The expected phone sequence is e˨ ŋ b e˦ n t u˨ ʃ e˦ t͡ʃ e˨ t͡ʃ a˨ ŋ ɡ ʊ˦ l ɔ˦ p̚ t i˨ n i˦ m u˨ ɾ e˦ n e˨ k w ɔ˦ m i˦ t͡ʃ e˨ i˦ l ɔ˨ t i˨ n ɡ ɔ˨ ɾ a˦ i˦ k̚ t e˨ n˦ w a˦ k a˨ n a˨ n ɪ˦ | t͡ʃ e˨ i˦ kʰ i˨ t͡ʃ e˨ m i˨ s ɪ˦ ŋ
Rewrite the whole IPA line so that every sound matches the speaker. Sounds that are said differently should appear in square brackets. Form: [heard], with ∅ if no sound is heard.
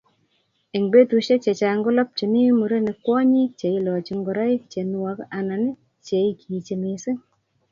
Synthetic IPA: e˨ ŋ b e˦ [∅] t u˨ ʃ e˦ t͡ʃ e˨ t͡ʃ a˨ ŋ ɡ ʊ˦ l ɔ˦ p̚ [t͡ʃ] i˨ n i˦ m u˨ ɾ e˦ n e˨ k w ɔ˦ [ɲ] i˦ t͡ʃ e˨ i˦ l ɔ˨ [t͡ʃ] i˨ [ŋ] ɡ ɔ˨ ɾ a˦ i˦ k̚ [t͡ʃ] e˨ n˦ w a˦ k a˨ n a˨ n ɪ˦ | t͡ʃ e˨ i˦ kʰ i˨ t͡ʃ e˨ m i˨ s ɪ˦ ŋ